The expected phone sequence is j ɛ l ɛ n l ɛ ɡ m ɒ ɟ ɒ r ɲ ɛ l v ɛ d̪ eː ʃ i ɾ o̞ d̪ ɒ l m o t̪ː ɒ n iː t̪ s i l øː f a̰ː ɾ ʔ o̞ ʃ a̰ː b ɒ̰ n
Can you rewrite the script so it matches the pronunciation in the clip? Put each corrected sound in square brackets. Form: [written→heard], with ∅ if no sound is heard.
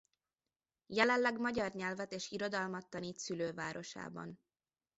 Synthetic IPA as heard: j ɛ l ɛ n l ɛ ɡ m ɒ ɟ ɒ r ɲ ɛ l v ɛ [d̪→t̪] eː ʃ i ɾ o̞ d̪ ɒ l m [o→ɒ] t̪ː ɒ n iː t̪ s [i→y] l øː [f→v] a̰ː ɾ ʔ o̞ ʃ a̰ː b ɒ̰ n

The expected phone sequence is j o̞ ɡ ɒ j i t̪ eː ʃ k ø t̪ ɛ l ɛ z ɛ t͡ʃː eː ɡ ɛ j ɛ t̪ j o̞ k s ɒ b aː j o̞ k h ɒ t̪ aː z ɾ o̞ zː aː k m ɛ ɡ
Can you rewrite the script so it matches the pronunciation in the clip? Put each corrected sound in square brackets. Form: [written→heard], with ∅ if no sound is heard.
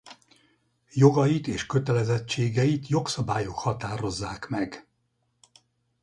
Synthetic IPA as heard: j o̞ ɡ ɒ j i t̪ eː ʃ k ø t̪ ɛ l ɛ z ɛ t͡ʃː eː ɡ ɛ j [ɛ→i] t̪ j o̞ k s ɒ b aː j o̞ k h ɒ t̪ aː [z→∅] ɾ o̞ zː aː k m ɛ ɡ

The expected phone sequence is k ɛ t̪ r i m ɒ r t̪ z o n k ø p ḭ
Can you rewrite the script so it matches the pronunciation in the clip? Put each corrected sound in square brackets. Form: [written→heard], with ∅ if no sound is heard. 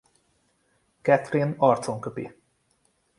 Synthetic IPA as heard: k ɛ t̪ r i [m→n] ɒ r t̪ [z→s] o [n→ŋ] k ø p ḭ

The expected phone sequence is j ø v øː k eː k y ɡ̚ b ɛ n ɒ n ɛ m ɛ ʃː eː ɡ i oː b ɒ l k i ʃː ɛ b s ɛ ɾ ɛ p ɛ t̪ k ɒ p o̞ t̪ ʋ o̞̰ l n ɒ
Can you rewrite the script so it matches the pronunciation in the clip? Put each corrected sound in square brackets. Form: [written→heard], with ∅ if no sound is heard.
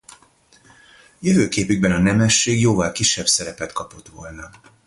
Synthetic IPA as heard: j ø v øː k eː [k→p] y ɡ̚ b ɛ n ɒ n ɛ m ɛ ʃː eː ɡ [i→j] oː [b→v] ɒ l k i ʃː ɛ b s ɛ ɾ ɛ p ɛ t̪ k ɒ p o̞ t̪ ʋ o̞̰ l n ɒ

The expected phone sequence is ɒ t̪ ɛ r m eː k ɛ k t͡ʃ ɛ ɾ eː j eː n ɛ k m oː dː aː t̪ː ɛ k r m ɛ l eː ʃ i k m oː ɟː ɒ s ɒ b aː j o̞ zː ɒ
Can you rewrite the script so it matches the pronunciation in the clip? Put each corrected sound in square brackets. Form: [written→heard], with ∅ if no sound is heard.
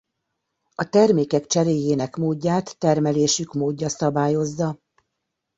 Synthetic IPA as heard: ɒ t̪ ɛ r m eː k ɛ k t͡ʃ ɛ ɾ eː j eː n ɛ k m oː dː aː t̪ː ɛ [k→∅] r m ɛ l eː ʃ [i→y] k m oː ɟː ɒ s ɒ b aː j o̞ zː ɒ

